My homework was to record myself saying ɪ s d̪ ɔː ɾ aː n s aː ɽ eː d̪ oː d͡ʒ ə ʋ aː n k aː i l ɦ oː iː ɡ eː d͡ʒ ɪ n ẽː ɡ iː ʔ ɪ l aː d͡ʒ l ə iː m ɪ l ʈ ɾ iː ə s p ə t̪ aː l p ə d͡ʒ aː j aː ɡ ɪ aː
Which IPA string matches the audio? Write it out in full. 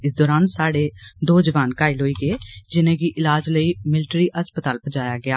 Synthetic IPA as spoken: ɪ s d̪ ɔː ɾ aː n s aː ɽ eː d̪ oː d͡ʒ ə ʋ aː n k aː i l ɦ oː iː ɡ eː d͡ʒ ɪ n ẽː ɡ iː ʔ ɪ l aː d͡ʒ l ə iː m ɪ l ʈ ɾ iː ə s p ə t̪ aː l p ə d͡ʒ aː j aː ɡ ɪ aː